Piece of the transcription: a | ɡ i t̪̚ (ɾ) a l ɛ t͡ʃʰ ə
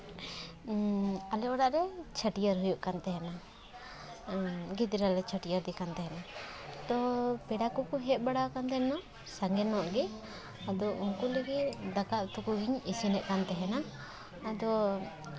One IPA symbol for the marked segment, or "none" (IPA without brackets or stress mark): ɾ